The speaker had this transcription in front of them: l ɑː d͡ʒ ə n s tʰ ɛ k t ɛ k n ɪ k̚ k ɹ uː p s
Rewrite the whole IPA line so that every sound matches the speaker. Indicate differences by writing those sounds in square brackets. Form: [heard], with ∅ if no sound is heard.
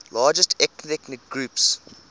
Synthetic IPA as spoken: l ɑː d͡ʒ ə [∅] s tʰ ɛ k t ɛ k n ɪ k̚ [ɡ] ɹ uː p s